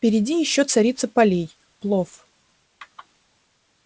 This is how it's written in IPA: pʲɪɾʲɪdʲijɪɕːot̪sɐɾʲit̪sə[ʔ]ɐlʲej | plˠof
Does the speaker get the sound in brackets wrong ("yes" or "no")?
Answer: yes